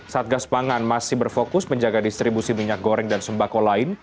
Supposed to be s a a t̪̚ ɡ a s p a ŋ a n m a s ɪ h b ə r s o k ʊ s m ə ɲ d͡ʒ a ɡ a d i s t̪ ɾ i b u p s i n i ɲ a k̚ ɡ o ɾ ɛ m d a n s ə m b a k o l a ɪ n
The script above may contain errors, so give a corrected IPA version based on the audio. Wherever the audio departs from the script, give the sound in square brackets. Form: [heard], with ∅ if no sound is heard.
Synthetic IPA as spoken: s a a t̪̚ ɡ a s p a ŋ a n m a s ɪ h b ə r [f] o k ʊ s m ə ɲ d͡ʒ a ɡ a d i s t̪ ɾ i b u [∅] s i [m] i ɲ a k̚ ɡ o ɾ ɛ [ŋ] d a n s ə m b a k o l a ɪ n